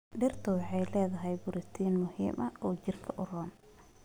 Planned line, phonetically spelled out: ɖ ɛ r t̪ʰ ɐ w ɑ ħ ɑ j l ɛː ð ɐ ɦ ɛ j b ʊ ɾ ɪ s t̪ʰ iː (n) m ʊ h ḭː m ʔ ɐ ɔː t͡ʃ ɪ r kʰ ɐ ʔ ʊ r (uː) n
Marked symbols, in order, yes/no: yes, no

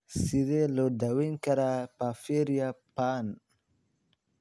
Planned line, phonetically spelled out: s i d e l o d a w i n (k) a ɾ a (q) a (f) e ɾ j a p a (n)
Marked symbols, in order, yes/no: yes, no, yes, yes

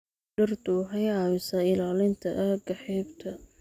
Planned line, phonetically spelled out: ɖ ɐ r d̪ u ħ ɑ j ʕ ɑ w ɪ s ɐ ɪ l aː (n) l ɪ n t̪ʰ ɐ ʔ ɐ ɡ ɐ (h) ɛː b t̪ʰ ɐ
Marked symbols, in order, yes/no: no, no

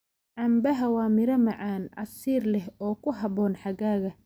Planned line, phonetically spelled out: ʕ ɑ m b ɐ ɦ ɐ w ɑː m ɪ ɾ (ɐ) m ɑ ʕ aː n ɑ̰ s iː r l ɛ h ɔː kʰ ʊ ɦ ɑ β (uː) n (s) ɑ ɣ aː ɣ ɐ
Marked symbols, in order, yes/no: yes, no, no

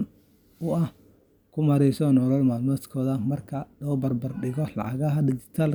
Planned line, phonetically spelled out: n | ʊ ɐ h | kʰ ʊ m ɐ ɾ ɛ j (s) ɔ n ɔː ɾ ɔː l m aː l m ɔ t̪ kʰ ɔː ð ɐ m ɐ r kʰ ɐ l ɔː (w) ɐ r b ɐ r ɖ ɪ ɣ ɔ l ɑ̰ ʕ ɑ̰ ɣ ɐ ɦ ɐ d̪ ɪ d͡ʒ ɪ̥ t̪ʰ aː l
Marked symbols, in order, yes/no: yes, no

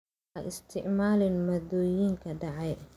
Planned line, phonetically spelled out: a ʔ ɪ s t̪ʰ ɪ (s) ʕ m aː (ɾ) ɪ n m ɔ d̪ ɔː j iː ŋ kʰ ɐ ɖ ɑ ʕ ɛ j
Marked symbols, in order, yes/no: no, no

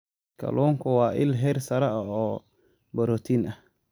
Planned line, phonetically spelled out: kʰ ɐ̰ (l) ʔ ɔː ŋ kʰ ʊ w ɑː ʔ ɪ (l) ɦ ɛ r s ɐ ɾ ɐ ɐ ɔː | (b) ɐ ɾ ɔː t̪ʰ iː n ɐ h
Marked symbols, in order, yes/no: yes, yes, yes

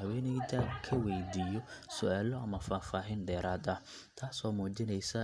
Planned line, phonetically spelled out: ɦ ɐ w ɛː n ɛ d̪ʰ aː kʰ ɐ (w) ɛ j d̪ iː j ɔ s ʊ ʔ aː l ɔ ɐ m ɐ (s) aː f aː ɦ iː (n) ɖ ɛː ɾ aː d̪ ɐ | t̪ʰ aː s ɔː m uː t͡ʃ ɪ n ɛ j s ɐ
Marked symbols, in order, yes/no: yes, no, yes

